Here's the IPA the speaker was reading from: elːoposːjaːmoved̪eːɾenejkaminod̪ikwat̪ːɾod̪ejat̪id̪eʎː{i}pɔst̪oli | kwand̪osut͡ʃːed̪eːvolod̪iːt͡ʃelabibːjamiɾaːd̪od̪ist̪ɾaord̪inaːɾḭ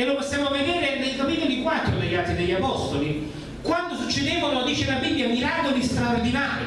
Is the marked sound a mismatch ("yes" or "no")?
yes